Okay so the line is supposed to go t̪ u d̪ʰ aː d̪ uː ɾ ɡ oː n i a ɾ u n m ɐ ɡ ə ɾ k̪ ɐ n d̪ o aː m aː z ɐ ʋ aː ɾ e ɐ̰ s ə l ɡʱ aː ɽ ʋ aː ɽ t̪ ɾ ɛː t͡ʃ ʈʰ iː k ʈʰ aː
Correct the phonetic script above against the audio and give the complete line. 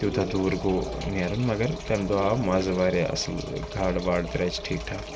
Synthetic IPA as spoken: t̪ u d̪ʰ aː d̪ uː ɾ ɡ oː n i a ɾ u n m ɐ ɡ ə ɾ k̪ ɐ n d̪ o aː m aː z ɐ ʋ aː ɾ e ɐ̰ s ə l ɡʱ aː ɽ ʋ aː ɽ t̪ ɾ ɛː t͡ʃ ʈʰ iː k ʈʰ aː